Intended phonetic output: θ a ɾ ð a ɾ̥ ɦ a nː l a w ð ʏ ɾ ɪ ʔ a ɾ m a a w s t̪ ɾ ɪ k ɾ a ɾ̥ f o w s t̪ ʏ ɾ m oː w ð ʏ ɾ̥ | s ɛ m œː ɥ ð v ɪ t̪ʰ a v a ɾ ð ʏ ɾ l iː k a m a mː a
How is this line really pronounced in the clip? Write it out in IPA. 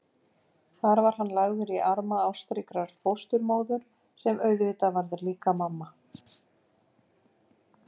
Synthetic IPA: θ a ɾ v a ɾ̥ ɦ a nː l a ɣ ð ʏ ɾ i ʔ a ɾ m a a w s t̪ ɾ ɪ k ɾ a ɾ̥ f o w s t̪ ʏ ɾ m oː w ð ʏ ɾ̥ | s ɛ m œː ɥ ð v ɪ t̪ a v a ɾ ð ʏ ɾ l iː k a m a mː a